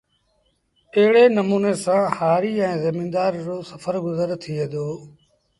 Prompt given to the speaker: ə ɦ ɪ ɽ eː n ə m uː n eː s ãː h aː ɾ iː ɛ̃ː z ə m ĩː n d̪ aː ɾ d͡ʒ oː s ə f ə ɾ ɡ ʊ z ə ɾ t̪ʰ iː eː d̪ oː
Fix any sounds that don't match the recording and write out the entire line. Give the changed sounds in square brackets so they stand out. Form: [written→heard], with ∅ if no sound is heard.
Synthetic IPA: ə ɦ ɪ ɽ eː n ə m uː n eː s ãː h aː ɾ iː ɛ̃ː z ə m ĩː n d̪ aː ɾ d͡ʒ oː s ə f ə ɾ ɡ ʊ z ə ɾ t̪ʰ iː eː d̪ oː